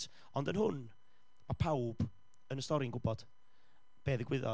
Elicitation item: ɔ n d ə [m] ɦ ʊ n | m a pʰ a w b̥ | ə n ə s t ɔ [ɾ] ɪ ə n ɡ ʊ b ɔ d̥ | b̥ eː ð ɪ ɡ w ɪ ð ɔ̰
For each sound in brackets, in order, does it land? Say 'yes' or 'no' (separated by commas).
no, yes